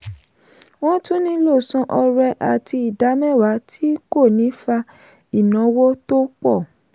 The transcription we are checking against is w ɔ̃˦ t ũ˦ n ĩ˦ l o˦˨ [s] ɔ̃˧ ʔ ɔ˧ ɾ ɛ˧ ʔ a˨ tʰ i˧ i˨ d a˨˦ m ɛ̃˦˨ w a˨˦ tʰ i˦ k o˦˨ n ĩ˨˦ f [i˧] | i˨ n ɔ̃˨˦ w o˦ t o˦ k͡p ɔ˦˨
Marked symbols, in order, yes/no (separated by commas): yes, no